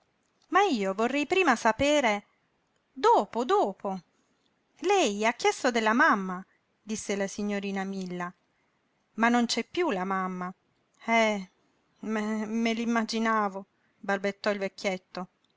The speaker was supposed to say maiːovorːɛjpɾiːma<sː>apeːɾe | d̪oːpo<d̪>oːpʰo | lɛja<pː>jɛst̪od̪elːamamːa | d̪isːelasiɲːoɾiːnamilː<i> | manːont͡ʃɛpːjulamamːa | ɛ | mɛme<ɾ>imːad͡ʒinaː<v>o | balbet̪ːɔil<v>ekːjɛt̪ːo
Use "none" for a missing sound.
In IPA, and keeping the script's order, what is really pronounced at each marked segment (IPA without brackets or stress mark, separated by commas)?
s, d̪, kː, a, l, v, v